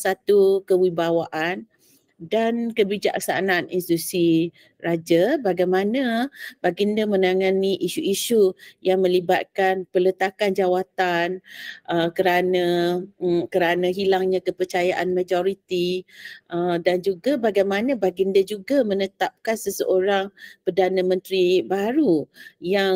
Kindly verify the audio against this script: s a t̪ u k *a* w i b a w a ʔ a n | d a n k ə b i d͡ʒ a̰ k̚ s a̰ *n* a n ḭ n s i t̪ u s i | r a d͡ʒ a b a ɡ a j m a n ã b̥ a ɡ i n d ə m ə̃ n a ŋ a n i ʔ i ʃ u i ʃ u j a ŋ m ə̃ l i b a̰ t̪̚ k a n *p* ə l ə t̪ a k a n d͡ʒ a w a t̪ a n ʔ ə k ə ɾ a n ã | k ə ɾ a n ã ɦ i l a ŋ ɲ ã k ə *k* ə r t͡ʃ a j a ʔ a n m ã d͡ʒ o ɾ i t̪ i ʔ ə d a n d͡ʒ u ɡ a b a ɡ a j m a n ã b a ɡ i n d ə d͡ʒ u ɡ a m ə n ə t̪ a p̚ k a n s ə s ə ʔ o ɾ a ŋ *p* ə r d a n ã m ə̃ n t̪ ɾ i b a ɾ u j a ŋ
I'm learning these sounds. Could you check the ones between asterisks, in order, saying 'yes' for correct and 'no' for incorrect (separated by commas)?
no, yes, yes, no, yes